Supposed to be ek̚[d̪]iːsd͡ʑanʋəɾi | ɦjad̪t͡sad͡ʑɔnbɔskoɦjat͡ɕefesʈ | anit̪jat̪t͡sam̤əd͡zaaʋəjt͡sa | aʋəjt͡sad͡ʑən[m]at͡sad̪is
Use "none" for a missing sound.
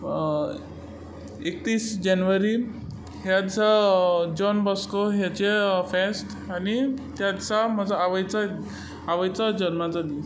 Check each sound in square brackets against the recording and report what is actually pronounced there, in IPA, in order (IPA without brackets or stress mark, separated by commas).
t̪, m